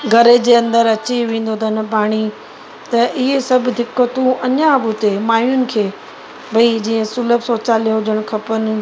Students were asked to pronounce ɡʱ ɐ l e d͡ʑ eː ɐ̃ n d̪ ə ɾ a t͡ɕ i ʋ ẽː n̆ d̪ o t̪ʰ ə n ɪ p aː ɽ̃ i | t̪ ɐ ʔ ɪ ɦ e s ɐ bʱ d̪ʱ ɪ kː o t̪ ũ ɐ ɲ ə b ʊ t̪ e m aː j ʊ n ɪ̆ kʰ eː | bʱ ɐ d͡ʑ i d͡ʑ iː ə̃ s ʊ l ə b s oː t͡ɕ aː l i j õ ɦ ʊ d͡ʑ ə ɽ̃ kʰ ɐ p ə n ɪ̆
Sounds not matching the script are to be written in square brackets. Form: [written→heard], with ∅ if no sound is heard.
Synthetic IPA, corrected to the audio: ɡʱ ɐ [l→ɾ] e d͡ʑ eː ɐ̃ n d̪ ə ɾ [a→ɐ] t͡ɕ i ʋ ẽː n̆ d̪ o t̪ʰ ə n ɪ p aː ɽ̃ i | t̪ ɐ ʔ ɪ ɦ e s ɐ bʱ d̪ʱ ɪ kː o t̪ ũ ɐ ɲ [ə→a] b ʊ t̪ e m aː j ʊ n ɪ̆ kʰ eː | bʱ ɐ [d͡ʑ→∅] i d͡ʑ iː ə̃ s ʊ l ə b s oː t͡ɕ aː l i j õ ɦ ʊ d͡ʑ ə ɽ̃ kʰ ɐ p ə n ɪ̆